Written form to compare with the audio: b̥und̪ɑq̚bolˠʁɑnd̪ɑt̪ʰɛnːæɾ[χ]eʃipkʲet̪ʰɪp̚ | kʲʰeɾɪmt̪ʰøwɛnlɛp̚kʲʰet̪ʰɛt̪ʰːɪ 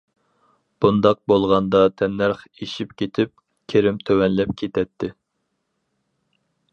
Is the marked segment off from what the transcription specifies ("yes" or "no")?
no